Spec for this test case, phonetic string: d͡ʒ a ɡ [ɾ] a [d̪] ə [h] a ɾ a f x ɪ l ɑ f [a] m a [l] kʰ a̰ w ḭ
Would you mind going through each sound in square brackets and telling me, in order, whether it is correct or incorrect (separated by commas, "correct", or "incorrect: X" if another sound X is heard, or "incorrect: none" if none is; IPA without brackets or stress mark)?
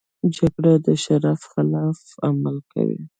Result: incorrect: ɽ, correct, incorrect: ʃ, correct, correct